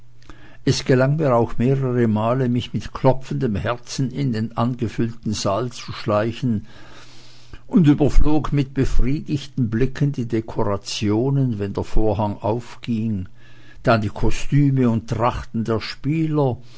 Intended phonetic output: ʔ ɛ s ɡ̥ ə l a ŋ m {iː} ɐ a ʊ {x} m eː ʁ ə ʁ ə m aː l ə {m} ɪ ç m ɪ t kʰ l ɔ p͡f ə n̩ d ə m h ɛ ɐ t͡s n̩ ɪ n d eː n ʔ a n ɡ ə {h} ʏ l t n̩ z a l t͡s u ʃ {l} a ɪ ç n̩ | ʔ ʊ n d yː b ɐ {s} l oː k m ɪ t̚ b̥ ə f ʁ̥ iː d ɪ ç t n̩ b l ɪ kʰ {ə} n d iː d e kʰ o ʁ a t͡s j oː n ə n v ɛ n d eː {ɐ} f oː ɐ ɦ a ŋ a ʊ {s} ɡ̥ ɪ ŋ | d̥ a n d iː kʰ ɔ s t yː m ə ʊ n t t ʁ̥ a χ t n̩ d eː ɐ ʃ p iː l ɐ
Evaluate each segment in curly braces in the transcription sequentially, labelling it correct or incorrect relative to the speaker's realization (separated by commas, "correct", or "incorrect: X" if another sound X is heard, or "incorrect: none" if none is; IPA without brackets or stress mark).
correct, correct, correct, incorrect: f, correct, incorrect: f, correct, correct, incorrect: f